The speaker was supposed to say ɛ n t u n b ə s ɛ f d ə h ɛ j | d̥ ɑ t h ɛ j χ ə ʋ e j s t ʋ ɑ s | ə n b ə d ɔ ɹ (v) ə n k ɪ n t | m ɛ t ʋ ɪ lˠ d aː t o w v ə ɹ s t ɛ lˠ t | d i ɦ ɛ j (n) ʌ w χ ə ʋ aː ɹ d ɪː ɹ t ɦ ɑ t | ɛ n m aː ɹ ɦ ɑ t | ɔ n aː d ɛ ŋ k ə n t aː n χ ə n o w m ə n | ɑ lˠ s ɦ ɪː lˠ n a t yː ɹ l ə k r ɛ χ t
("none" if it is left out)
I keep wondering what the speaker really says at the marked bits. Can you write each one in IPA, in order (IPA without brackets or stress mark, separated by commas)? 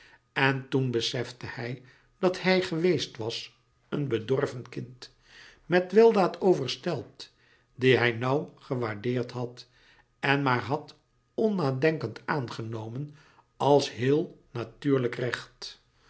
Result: v, n